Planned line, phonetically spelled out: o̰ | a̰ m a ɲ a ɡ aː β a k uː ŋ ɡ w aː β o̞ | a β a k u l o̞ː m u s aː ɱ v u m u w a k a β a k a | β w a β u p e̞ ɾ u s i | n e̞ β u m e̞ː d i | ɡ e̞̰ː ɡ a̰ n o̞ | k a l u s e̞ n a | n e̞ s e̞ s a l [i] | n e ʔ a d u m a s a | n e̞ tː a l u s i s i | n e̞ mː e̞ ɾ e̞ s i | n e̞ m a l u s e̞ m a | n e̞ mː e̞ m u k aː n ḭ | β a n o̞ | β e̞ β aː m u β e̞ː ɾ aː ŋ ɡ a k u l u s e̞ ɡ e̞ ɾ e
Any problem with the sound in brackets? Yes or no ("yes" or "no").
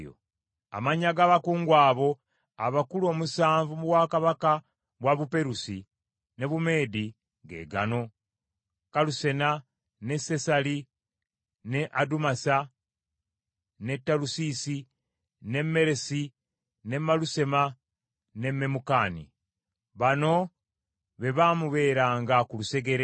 no